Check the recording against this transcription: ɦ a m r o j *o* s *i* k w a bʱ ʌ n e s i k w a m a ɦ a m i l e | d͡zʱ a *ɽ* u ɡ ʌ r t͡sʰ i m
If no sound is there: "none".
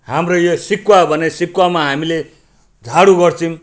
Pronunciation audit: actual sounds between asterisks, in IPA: o, i, ɽ

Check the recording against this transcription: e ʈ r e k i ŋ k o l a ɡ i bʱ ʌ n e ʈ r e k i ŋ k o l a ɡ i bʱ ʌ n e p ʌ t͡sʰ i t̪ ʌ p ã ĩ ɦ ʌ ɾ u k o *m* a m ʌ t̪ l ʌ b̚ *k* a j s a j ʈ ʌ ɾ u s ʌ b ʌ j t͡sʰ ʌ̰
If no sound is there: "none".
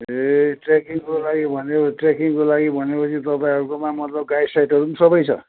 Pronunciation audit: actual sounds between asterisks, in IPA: m, ɡ

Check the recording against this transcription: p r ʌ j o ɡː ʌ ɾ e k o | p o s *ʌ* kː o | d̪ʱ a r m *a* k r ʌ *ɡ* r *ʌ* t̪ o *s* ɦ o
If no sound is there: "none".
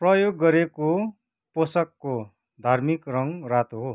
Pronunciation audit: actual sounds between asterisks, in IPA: ʌ, i, ŋ, a, none

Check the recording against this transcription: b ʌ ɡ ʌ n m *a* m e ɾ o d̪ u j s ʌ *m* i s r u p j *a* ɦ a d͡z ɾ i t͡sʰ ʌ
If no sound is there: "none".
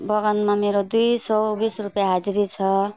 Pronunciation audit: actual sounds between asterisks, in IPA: a, b, a

